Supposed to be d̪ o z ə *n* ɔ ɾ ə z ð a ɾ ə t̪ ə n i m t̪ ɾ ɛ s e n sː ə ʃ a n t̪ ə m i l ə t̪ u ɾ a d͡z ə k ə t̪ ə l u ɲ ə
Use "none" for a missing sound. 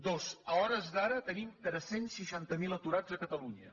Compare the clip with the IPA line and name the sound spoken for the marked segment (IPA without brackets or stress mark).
none